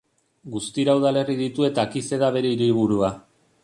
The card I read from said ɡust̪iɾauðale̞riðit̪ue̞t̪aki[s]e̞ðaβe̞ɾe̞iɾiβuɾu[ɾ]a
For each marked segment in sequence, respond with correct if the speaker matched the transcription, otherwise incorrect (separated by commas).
correct, incorrect